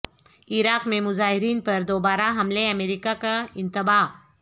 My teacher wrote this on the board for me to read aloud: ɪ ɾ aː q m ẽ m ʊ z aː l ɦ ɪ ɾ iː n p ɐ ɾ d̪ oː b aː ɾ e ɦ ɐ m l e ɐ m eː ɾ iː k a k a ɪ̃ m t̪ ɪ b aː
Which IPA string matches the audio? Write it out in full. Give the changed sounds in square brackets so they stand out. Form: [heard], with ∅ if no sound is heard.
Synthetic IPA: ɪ ɾ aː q m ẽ m ʊ z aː [∅] ɦ ɪ ɾ iː n p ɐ ɾ d̪ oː b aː ɾ [a] ɦ ɐ m l e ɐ m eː ɾ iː k a k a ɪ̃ [n] t̪ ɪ b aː

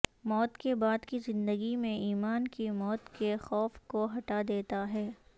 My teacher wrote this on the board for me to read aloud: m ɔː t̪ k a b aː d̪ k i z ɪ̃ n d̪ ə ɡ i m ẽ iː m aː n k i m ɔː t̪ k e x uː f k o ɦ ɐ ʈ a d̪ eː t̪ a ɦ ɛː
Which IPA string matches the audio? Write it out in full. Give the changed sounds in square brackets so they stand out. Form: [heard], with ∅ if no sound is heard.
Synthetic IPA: m ɔː t̪ k [e] b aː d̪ k i z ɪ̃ n d̪ ə ɡ i m ẽ iː m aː n k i m ɔː t̪ k e x [ɔː] f k o ɦ ɐ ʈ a d̪ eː t̪ a ɦ ɛː

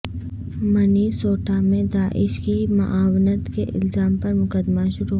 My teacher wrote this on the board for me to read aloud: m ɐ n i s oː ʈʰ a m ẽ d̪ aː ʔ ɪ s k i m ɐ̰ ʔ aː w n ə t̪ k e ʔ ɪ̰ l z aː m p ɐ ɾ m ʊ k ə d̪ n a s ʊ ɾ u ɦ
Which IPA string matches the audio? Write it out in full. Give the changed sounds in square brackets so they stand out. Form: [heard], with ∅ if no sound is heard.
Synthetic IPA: m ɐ n i s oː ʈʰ a m ẽ d̪ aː ʔ ɪ [ʃ] k i m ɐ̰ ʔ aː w n ə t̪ k e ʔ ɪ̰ l z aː m p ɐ ɾ m ʊ k ə d̪ [m] a [ʃ] ʊ ɾ u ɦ

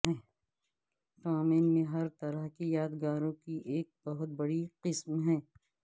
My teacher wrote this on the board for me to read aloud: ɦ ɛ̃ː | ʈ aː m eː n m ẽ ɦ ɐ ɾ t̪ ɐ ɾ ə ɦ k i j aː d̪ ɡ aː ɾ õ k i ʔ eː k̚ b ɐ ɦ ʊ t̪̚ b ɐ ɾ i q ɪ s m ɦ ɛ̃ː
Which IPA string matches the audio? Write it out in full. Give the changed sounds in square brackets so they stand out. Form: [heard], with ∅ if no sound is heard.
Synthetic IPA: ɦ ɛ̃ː | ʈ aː m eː n m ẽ ɦ ɐ ɾ t̪ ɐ ɾ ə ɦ k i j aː d̪ ɡ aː ɾ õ k i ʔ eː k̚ b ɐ ɦ ʊ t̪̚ b ɐ [ɽ] i q ɪ s m ɦ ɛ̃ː

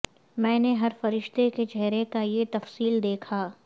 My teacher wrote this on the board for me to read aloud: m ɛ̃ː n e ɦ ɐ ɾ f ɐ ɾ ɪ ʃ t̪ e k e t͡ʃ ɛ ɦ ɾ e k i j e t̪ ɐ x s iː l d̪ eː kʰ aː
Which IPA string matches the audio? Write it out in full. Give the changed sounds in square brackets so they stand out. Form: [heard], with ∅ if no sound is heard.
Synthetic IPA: m ɛ̃ː n e ɦ ɐ ɾ f ɐ ɾ ɪ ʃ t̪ e k e t͡ʃ ɛ ɦ ɾ e k [a] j e t̪ ɐ [f] s iː l d̪ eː kʰ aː

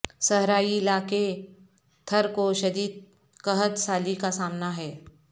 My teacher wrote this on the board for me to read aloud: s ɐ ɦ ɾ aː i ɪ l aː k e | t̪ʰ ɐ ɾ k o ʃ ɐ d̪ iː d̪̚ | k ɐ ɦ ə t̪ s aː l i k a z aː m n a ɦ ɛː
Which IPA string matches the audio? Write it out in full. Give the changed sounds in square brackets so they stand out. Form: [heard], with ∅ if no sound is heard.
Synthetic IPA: s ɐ ɦ ɾ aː i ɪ l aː k e | t̪ʰ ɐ ɾ k o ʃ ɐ d̪ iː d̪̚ | k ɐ ɦ ə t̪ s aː l i k a [s] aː m n a ɦ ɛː

